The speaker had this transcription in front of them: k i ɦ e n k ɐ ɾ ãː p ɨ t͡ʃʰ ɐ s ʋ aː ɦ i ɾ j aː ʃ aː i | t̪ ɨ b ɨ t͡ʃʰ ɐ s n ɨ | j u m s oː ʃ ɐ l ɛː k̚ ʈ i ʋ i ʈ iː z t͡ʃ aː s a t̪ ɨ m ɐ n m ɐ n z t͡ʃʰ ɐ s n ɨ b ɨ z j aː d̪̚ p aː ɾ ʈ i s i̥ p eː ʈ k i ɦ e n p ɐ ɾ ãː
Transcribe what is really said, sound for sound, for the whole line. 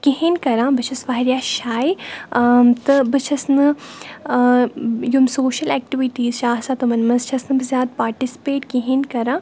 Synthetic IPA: k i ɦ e n k ɐ ɾ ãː b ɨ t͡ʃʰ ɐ s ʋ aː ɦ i ɾ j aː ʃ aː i | t̪ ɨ b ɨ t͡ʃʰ ɐ s n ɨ | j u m s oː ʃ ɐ l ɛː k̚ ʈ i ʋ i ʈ iː z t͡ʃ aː s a t̪ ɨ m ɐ n m ɐ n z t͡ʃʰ ɐ s n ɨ b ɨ z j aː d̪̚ p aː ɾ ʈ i s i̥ p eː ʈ k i ɦ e n k ɐ ɾ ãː